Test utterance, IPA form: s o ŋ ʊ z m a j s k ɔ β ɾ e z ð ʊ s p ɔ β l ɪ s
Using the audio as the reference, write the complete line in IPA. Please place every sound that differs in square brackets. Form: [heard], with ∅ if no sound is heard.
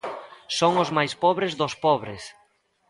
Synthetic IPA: s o ŋ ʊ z m a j s [p] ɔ β ɾ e z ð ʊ s p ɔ β [ɾ] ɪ s